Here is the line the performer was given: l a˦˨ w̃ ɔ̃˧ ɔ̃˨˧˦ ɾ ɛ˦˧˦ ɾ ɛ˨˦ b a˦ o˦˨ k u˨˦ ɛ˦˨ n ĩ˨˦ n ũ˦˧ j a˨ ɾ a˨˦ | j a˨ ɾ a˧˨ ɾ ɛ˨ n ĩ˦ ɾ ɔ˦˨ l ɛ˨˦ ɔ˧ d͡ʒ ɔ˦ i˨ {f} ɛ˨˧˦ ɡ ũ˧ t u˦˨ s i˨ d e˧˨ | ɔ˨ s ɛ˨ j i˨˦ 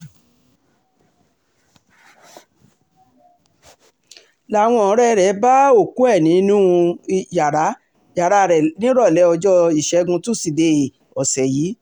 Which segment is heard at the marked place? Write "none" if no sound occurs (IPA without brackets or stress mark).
ʃ